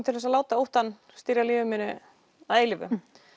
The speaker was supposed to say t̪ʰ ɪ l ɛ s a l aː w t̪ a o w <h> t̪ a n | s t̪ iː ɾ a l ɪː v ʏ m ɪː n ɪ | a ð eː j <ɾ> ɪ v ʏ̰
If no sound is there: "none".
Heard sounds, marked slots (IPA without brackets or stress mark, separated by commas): h, l